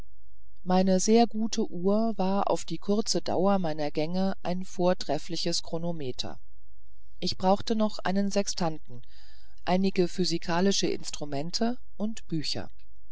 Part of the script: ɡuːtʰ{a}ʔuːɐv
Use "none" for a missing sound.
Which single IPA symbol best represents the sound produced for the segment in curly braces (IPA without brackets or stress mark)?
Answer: ə